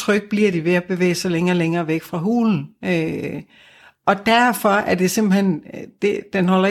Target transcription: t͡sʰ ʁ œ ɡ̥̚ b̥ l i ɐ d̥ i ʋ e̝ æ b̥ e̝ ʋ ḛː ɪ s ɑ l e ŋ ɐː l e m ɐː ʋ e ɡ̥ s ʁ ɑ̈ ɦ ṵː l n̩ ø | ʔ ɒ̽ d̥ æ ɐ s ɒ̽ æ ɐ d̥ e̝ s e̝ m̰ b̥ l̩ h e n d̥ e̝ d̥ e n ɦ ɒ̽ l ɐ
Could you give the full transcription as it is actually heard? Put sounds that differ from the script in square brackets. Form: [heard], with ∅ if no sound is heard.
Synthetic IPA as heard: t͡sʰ ʁ œ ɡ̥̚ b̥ l i ɐ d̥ i ʋ e̝ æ b̥ e̝ ʋ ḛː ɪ s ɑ l e ŋ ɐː l e [ŋ] ɐː ʋ e ɡ̥ [f] ʁ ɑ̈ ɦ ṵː l n̩ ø | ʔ ɒ̽ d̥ æ ɐ [f] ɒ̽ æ ɐ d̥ e̝ s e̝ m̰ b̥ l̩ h e n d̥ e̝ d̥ e n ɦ ɒ̽ l ɐ